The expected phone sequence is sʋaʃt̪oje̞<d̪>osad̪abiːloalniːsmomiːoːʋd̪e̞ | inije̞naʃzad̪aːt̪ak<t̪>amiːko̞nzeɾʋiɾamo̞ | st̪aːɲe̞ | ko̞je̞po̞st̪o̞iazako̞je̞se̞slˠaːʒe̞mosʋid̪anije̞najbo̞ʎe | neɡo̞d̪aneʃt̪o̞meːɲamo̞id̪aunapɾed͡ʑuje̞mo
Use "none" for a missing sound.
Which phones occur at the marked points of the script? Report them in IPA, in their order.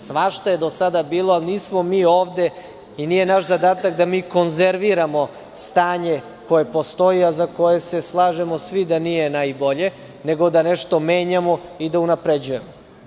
d̪, d̪

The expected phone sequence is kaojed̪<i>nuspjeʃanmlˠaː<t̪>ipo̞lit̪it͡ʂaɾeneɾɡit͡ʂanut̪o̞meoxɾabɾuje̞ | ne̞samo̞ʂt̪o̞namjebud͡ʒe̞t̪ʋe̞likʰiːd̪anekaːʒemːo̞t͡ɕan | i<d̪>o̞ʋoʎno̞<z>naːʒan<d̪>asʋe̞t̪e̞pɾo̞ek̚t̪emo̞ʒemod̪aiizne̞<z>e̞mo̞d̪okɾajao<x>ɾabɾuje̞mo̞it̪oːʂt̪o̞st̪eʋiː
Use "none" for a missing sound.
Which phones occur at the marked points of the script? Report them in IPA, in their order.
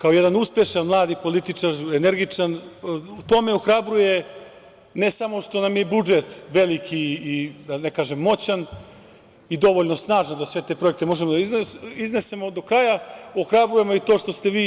a, d̪, d̪, s, d̪, s, x

